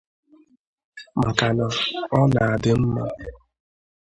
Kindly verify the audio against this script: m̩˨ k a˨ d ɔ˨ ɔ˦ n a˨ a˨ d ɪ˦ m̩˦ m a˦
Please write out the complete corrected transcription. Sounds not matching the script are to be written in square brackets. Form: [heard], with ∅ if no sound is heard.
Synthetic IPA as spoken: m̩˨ k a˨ [n] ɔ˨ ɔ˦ n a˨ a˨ d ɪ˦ m̩˦ m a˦